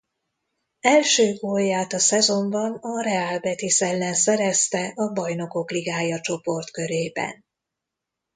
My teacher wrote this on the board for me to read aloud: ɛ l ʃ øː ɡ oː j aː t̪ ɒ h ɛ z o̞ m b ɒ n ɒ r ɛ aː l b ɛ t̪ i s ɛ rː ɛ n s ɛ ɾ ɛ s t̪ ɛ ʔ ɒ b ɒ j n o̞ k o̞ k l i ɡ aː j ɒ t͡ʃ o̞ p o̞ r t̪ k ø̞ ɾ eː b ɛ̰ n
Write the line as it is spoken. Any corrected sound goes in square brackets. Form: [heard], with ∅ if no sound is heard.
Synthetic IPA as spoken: ɛ l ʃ øː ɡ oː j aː t̪ ɒ [s] ɛ z o̞ m b ɒ n ɒ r ɛ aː l b ɛ t̪ i s ɛ [lː] ɛ n s ɛ ɾ ɛ s t̪ ɛ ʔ ɒ b ɒ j n o̞ k o̞ k l i ɡ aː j ɒ t͡ʃ o̞ p o̞ r t̪ k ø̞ ɾ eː b ɛ̰ n